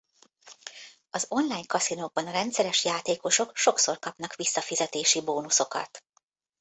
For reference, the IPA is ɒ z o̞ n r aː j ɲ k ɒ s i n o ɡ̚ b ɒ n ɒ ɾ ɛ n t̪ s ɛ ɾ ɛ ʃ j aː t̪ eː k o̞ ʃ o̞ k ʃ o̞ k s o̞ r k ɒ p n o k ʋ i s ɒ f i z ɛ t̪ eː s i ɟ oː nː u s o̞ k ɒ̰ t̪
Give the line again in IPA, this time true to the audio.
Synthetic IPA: ɒ z o̞ n l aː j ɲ k ɒ s i n o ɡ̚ b ɒ n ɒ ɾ ɛ n t̪ s ɛ ɾ ɛ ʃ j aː t̪ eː k o̞ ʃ o̞ k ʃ o̞ k s o̞ r k ɒ p n ɒ k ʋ i sː ɒ f i z ɛ t̪ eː ʃ i b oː n u s o̞ k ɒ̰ t̪